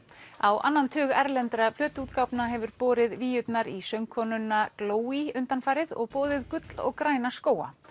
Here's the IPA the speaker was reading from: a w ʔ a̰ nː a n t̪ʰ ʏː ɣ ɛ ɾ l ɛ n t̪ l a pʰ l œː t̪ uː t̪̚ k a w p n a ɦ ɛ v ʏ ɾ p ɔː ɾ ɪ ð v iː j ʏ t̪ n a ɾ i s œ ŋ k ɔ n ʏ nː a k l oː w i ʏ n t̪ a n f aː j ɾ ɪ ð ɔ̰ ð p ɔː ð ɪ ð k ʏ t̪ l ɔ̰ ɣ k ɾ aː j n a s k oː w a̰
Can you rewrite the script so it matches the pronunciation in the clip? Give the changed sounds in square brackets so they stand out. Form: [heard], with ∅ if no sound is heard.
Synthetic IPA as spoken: a w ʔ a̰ nː a n t̪ʰ ʏː ɣ ɛ ɾ l ɛ n t̪ [ɾ] a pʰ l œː t̪ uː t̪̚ k a w p n a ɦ ɛ v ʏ ɾ p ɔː ɾ ɪ ð v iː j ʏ t̪ n a ɾ i s œ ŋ [kʰ] ɔ n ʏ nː a k l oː w i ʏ n t̪ a n f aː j ɾ ɪ ð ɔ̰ [ɣ] p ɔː ð ɪ ð k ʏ t̪ l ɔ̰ ɣ k ɾ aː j n a s k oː w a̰

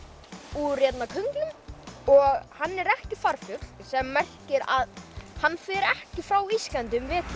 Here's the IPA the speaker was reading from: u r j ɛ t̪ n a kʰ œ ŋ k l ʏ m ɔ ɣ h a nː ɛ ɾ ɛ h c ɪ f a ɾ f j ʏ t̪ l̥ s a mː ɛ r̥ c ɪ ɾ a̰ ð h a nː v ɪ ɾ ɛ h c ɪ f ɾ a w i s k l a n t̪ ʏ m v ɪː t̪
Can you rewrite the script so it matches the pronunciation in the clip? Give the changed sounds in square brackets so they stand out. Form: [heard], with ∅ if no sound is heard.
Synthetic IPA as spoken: u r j ɛ t̪ n a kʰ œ ŋ k l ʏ m ɔ ɣ h a nː ɛ ɾ ɛ h c ɪ f a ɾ f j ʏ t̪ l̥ s [ɛ] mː ɛ r̥ c ɪ ɾ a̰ ð h a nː [f] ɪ ɾ ɛ h c ɪ f ɾ a w i s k l a n t̪ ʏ m v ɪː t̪

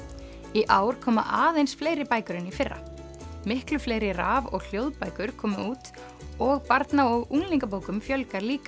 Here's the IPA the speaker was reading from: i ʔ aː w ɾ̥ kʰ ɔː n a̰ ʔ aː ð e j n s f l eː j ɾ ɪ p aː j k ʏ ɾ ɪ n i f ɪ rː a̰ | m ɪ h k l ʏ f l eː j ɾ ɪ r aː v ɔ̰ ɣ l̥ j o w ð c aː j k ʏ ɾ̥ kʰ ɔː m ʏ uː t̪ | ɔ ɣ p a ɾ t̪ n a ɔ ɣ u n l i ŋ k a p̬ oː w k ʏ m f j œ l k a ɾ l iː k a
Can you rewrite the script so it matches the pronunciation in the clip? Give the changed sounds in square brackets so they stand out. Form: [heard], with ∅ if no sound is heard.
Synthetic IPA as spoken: i ʔ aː w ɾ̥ kʰ ɔː [m] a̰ ʔ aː ð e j n s f l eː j ɾ ɪ p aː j k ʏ ɾ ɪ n i f ɪ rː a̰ | m ɪ h k l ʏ f l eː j ɾ ɪ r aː v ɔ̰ ɣ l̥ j o w ð [p] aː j k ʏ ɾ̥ kʰ ɔː m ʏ uː t̪ | ɔ ɣ p a ɾ t̪ n a ɔ ɣ u [ŋ] l i ŋ k a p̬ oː w k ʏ m f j œ l k a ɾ l iː k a

